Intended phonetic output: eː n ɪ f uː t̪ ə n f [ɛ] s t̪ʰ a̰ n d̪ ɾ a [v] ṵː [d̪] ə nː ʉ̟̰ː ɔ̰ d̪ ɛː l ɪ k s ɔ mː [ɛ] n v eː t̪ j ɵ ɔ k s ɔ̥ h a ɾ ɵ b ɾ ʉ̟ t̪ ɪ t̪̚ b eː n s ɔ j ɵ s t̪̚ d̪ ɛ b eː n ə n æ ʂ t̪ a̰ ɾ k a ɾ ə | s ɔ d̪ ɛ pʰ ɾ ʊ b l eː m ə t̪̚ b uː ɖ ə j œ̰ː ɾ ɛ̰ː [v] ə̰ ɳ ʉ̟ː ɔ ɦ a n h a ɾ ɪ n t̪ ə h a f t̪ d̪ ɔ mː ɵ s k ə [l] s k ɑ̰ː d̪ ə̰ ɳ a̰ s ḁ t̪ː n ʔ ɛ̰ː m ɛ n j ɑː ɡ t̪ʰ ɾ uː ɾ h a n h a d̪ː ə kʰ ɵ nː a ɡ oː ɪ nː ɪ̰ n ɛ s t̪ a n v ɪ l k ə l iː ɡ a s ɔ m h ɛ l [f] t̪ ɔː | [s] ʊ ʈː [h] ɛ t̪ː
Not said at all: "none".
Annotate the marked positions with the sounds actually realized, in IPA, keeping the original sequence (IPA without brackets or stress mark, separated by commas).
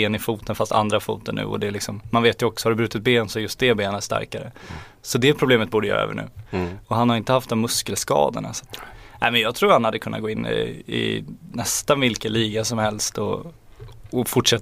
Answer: a, f, t̪, a, v, l, s, f, ʂ